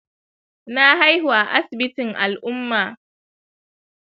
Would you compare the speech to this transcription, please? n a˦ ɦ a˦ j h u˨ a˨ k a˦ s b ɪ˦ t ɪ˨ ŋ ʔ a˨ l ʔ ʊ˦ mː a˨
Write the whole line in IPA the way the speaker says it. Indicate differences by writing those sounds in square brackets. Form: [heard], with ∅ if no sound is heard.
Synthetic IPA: n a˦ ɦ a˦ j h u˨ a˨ [ʔ] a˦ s b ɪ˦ t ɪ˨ ŋ ʔ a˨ l ʔ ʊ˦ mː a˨